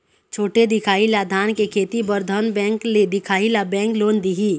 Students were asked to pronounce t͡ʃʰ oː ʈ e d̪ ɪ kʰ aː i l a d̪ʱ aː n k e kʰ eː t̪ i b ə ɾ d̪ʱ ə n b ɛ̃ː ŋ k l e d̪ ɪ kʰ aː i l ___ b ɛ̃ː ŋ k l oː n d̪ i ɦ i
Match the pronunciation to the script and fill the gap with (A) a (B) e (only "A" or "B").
A